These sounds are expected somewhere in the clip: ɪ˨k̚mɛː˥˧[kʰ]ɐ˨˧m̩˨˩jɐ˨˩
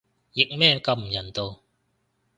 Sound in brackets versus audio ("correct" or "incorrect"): incorrect